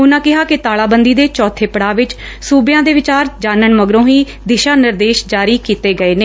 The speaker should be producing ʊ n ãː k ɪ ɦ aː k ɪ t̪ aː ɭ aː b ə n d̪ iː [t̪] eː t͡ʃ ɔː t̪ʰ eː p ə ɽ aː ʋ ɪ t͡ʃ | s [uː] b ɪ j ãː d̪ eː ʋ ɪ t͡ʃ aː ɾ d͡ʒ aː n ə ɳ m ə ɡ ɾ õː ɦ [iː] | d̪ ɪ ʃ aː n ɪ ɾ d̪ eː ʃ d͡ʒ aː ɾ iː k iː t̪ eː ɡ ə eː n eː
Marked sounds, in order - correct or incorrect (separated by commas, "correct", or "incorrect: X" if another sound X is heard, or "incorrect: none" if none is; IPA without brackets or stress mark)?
incorrect: d̪, correct, correct